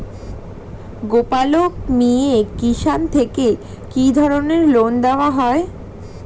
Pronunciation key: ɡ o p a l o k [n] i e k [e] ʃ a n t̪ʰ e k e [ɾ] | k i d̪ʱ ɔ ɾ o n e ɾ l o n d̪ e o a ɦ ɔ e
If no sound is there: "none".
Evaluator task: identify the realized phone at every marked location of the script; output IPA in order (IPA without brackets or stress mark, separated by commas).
m, i, none